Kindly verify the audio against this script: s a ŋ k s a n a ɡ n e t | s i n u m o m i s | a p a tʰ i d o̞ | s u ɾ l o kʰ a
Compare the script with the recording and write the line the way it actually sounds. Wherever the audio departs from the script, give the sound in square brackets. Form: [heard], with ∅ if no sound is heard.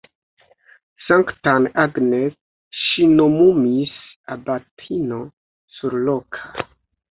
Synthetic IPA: s a ŋ k [t] a n a ɡ n e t | [ʃ] i n [o] m [u] m i s | a [b] a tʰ i [n] o̞ | s u ɾ l o kʰ a